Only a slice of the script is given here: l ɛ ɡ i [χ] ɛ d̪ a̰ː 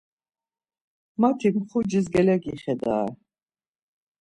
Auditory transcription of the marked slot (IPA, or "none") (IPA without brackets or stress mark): χ